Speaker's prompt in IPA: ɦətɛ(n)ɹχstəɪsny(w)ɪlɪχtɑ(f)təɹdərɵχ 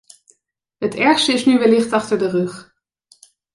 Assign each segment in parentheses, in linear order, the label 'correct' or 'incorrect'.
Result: incorrect: none, incorrect: ʋ, incorrect: χ

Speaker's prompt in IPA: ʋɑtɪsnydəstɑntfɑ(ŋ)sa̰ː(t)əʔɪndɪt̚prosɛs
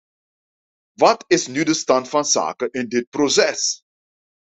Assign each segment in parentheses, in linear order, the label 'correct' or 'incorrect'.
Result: incorrect: n, incorrect: k

